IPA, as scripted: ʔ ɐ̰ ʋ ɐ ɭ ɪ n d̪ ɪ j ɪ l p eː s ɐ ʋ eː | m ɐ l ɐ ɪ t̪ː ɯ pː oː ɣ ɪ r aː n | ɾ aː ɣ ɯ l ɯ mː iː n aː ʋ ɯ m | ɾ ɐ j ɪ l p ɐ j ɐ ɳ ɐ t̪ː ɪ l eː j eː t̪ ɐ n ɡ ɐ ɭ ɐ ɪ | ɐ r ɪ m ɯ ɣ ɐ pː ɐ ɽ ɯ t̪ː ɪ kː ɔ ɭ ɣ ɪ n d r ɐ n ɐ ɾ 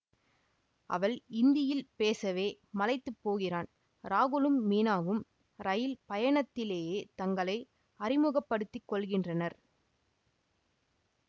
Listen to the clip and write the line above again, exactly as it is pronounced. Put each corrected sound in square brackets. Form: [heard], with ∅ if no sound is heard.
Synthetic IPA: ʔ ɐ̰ ʋ ɐ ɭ ɪ n d̪ ɪ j ɪ l p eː s ɐ ʋ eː | m ɐ l ɐ ɪ t̪ː ɯ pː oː ɣ ɪ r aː n | ɾ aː ɣ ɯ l ɯ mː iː n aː ʋ ɯ m | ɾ ɐ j ɪ l p ɐ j ɐ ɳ ɐ t̪ː ɪ l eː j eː t̪ ɐ [ŋ] ɡ ɐ ɭ ɐ ɪ | ɐ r ɪ m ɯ ɣ ɐ pː ɐ ɽ ɯ t̪ː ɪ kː ɔ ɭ ɣ ɪ n d r ɐ n ɐ ɾ